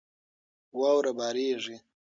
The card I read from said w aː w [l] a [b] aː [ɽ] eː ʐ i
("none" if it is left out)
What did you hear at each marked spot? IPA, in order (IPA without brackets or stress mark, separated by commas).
ɾ, b, ɾ